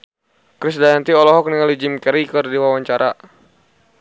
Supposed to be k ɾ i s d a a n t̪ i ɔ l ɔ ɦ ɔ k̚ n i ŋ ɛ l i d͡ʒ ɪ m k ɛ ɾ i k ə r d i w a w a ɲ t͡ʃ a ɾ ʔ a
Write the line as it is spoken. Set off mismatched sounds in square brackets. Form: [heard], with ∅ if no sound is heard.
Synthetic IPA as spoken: k ɾ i s d a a n t̪ i ɔ l ɔ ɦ ɔ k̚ n i ŋ [a] l i d͡ʒ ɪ m k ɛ ɾ i k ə r d i w a w a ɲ t͡ʃ a ɾ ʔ a

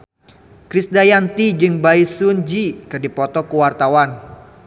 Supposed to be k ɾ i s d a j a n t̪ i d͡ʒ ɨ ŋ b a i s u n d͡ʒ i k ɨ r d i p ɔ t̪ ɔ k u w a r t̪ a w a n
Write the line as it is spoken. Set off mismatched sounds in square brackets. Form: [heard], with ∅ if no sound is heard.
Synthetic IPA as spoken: k ɾ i s d a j a n t̪ i d͡ʒ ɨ ŋ b a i s u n d͡ʒ i k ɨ r d i p ɔ t̪ ɔ k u w a r t̪ a w a n

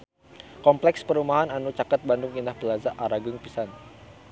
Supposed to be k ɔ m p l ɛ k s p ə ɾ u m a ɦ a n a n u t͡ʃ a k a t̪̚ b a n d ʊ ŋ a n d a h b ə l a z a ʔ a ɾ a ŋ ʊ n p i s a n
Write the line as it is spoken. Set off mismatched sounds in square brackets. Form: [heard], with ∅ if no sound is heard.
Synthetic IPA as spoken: k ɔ m p l ɛ k s p ə ɾ u m a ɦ a n a n u t͡ʃ a k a t̪̚ b a n d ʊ ŋ [i] n d a h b ə l a z a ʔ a ɾ a [ɡ] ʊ [ŋ] p i s a n

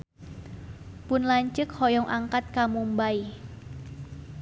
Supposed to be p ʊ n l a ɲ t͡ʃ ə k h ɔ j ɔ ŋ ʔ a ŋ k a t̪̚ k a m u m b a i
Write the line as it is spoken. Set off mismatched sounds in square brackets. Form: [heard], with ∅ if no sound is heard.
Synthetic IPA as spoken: p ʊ n l a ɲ t͡ʃ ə k h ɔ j ɔ ŋ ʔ a ŋ k a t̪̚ k a m u m b a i

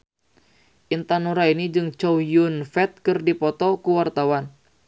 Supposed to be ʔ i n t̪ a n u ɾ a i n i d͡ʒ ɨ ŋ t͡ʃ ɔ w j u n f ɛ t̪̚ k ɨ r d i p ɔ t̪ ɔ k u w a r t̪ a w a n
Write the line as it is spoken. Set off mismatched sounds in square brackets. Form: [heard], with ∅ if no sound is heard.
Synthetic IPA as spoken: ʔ i n t̪ a n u ɾ a i n i d͡ʒ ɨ ŋ t͡ʃ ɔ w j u n f ɛ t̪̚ k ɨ r d i p ɔ t̪ ɔ k u w a r t̪ a w a n

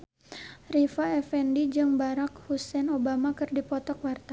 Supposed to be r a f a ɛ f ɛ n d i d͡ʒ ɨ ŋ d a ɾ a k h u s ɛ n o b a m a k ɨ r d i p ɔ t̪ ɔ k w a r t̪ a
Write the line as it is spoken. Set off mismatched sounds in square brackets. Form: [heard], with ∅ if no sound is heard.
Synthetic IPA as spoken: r [i] f a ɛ f ɛ n d i d͡ʒ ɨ ŋ [b] a ɾ a k h u s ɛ n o b a m a k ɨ r d i p ɔ t̪ ɔ k w a r t̪ a

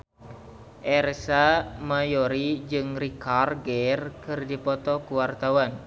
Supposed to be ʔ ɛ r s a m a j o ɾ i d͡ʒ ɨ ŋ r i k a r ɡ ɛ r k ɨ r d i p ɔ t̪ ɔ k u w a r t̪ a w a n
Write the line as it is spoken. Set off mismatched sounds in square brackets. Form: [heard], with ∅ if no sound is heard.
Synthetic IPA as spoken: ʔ ɛ r s a m a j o ɾ i d͡ʒ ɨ ŋ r i k a r ɡ ɛ r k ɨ r d i p ɔ t̪ ɔ k u w a r t̪ a w a n

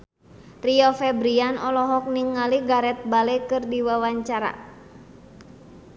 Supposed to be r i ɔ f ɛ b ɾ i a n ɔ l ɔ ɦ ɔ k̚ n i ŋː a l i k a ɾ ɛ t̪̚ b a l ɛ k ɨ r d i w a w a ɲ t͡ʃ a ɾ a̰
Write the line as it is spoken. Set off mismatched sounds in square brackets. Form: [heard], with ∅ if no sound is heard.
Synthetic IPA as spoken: r i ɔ f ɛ b ɾ i a n ɔ l ɔ ɦ ɔ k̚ n i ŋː a l i [ɡ] a ɾ ɛ t̪̚ b a l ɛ k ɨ r d i w a w a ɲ t͡ʃ a ɾ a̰

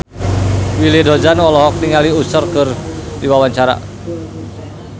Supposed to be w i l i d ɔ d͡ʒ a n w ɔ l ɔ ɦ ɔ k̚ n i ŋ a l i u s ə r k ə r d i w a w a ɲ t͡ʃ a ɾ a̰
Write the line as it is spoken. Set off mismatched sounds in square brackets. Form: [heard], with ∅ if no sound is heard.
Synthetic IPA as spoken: w i l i d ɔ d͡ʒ a n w ɔ l ɔ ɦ ɔ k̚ n i ŋ a l i u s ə r k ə r d i w a w a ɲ t͡ʃ a ɾ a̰

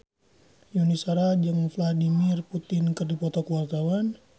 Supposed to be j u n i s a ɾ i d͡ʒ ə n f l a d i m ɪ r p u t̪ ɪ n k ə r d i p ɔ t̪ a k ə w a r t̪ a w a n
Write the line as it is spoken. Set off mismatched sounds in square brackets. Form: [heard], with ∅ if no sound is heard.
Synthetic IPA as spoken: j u n i s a ɾ [a] d͡ʒ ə [ŋ] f l a d i m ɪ r p u t̪ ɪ n k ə r d i p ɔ t̪ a k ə w a r t̪ a w a n

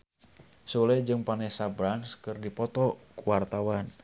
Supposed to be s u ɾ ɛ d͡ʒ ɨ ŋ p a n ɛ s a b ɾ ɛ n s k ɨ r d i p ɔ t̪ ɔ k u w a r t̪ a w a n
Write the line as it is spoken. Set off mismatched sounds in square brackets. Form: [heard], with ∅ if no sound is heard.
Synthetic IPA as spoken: s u [l] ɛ d͡ʒ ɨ ŋ p a n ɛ s a b ɾ [a] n s k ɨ r d i p ɔ t̪ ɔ k u w a r t̪ a w a n

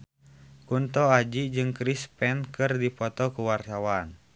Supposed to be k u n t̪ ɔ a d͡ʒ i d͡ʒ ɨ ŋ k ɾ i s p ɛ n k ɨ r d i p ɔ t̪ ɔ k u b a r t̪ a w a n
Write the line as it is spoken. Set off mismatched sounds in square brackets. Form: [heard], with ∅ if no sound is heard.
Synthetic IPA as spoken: k u n t̪ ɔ a d͡ʒ i d͡ʒ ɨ ŋ k ɾ i s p ɛ n k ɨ r d i p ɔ t̪ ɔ k u [w] a r t̪ a w a n

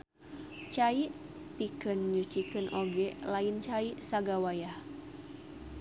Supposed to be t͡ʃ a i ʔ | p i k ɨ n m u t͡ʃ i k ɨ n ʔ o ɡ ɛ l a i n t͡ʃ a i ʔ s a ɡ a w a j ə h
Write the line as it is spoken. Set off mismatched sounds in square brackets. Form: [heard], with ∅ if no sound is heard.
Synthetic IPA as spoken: t͡ʃ a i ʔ | p i k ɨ n [ɲ] u t͡ʃ i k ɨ n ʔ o ɡ ɛ l a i n t͡ʃ a i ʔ s a ɡ a w a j [a] h

